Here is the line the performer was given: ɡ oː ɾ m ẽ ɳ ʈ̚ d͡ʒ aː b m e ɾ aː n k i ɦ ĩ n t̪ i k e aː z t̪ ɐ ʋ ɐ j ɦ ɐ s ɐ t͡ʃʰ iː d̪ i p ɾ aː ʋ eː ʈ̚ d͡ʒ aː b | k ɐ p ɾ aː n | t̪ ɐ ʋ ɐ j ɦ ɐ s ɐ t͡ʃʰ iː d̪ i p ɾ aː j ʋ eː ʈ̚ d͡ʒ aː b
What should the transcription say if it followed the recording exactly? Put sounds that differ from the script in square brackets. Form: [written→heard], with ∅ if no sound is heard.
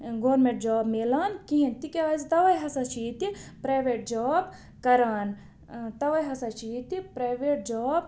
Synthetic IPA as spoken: ɡ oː ɾ m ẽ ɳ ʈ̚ d͡ʒ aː b m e [ɾ→l] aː n k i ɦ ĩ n t̪ i k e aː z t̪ ɐ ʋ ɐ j ɦ ɐ s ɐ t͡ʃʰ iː [d̪→t̪] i p ɾ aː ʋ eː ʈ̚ d͡ʒ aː b | k ɐ [p→∅] ɾ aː n | t̪ ɐ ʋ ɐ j ɦ ɐ s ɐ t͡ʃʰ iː [d̪→t̪] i p ɾ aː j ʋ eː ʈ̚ d͡ʒ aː b

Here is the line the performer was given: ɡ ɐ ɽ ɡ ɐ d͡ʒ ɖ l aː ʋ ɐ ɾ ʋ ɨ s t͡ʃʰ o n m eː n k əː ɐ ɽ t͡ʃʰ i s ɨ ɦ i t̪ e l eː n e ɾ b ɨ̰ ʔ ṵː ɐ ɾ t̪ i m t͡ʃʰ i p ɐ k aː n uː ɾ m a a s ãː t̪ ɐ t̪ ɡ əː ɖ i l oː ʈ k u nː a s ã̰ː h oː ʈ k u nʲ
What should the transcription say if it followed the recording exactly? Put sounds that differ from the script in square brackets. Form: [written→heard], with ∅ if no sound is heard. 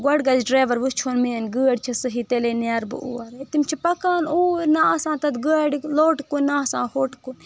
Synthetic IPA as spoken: ɡ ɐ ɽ ɡ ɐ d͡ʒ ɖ [l→ɾ] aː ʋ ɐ ɾ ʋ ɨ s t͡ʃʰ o n m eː n [k→ɡ] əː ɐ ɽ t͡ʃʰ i s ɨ ɦ i t̪ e l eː n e ɾ b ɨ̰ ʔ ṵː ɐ ɾ t̪ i m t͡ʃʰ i p ɐ k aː n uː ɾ [m→n] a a s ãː t̪ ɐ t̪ ɡ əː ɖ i l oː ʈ k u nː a s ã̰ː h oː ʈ k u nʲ

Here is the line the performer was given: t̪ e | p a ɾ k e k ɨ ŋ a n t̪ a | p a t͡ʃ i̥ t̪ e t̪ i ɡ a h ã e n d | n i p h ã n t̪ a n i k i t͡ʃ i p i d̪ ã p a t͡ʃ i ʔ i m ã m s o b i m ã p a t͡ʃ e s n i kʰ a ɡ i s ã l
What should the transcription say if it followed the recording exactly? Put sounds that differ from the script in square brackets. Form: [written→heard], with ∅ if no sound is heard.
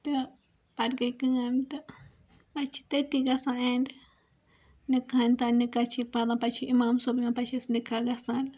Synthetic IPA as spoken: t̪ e | p a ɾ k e k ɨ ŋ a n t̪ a | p a t͡ʃ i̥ t̪ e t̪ i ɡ a [h→s] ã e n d | n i [p→k] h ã n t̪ a n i k [i→a] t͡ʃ i p [i→a] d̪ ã p a t͡ʃ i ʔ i m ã m s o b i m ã p a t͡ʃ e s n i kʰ a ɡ [i→a] s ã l

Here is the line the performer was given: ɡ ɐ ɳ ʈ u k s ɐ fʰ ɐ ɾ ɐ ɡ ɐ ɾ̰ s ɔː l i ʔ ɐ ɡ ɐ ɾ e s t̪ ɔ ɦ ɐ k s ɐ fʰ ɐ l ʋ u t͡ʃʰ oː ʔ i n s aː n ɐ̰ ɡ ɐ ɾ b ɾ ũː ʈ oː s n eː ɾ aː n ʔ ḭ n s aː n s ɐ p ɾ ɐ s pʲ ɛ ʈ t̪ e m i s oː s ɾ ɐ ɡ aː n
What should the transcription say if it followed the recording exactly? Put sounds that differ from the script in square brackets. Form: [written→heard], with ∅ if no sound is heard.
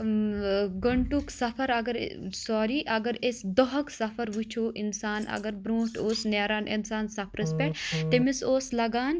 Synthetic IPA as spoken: ɡ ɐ ɳ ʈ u k s ɐ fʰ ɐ ɾ ɐ ɡ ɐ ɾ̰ s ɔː [l→ɾ] i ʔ ɐ ɡ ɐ ɾ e s [t̪→d̪] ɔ ɦ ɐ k s ɐ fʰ ɐ [l→ɾ] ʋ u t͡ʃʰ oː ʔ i n s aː n ɐ̰ ɡ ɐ ɾ b ɾ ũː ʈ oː s n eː ɾ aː n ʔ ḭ n s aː n s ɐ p ɾ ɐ s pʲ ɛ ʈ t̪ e m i s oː s [ɾ→l] ɐ ɡ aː n

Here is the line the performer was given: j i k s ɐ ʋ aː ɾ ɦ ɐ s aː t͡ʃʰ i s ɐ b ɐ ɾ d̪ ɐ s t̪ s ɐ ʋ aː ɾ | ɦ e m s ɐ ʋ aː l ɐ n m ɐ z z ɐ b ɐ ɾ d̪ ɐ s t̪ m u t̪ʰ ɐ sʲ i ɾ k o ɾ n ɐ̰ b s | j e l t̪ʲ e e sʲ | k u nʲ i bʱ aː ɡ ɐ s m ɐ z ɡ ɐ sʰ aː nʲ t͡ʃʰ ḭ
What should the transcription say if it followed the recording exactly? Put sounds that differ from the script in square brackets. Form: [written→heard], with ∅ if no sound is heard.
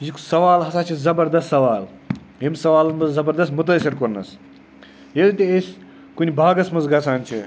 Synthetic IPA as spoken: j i k s ɐ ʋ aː [ɾ→l] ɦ ɐ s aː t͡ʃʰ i [s→z] ɐ b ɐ ɾ d̪ ɐ s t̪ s ɐ ʋ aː [ɾ→l] | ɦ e m s ɐ ʋ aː l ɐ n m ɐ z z ɐ b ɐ ɾ d̪ ɐ s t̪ m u [t̪ʰ→t̪] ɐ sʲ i ɾ k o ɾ n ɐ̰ [b→∅] s | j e l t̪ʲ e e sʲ | k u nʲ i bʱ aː ɡ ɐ s m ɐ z ɡ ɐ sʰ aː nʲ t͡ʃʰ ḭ

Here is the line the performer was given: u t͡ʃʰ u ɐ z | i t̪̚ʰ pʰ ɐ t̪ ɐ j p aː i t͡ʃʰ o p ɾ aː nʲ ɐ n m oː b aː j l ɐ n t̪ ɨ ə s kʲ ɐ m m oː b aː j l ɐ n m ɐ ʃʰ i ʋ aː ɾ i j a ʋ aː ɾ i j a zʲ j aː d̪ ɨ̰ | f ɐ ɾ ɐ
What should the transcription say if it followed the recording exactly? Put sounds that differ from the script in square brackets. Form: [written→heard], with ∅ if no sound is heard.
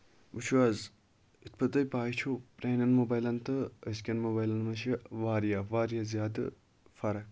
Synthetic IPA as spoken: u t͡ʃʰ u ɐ z | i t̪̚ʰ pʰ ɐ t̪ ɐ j p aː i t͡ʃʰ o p ɾ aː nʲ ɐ n m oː b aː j l ɐ n t̪ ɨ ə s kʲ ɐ [m→n] m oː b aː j l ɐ n m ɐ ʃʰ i ʋ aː ɾ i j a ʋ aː ɾ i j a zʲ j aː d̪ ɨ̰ | f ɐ ɾ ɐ

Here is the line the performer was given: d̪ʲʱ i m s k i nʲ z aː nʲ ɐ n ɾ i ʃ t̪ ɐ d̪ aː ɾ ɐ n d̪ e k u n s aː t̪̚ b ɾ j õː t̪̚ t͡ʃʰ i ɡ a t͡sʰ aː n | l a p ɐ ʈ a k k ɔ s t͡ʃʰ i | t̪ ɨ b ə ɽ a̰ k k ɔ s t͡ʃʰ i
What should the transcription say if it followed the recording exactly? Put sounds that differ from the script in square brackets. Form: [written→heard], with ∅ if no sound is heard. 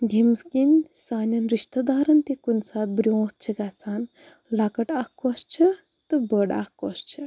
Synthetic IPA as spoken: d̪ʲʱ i m s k i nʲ [z→s] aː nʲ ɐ n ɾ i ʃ t̪ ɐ d̪ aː ɾ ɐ n [d̪→t̪] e k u n s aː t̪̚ b ɾ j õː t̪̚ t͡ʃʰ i ɡ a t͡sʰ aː n | l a [p→k] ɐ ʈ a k k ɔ s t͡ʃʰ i | t̪ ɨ b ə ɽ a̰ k k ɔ s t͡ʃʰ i

